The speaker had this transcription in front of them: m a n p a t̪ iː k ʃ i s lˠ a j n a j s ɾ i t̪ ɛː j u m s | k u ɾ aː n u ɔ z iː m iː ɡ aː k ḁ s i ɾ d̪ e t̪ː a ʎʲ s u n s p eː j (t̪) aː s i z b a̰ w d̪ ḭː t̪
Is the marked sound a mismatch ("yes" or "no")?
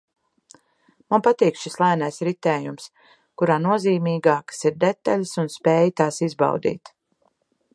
no